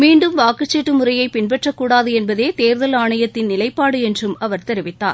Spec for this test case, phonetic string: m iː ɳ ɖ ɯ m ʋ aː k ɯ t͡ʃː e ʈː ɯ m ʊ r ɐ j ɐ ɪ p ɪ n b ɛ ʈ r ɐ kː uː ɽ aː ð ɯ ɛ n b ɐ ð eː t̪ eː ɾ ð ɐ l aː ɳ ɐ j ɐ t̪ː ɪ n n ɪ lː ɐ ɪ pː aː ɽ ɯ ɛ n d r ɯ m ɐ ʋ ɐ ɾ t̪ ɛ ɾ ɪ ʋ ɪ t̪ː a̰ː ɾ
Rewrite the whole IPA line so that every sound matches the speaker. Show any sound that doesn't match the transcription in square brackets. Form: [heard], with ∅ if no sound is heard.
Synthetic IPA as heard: m iː ɳ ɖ ɯ m ʋ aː k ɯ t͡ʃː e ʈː ɯ m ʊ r ɐ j ɐ ɪ p ɪ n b ɛ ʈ r ɐ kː uː ɽ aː ð ɯ ɛ n b ɐ ð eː t̪ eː ɾ ð ɐ l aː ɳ ɐ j ɐ t̪ː ɪ n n ɪ [l] ɐ ɪ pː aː ɽ ɯ ɛ n d r ɯ m ɐ ʋ ɐ ɾ t̪ ɛ ɾ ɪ ʋ ɪ t̪ː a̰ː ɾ